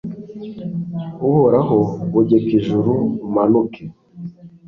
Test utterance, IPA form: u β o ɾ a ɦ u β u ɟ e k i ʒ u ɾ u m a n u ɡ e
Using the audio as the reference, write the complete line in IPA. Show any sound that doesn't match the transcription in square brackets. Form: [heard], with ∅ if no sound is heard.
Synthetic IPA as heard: u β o ɾ a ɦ [o] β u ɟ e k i ʒ u ɾ u m a n u [k] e

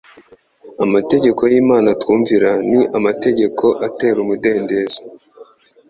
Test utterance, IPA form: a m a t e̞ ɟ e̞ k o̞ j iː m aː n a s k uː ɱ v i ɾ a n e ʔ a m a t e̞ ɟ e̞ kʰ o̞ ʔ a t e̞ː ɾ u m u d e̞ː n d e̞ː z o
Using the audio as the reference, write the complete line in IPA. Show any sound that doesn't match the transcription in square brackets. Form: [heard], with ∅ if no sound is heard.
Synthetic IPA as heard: a m a t e̞ ɟ e̞ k o̞ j iː m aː n a [t] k uː ɱ v i ɾ a n [i] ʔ a m a t e̞ ɟ e̞ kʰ o̞ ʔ a t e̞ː ɾ u m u d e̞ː n d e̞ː z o

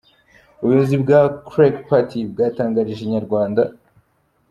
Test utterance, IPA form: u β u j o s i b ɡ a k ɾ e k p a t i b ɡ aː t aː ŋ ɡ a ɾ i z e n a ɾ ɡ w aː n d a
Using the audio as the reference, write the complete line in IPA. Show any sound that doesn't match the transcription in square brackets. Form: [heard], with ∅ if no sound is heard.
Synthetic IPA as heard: u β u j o [z] i b ɡ a k ɾ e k p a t i b ɡ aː t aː ŋ ɡ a ɾ i [ʒ] e [ɲ] a ɾ ɡ w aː n d a

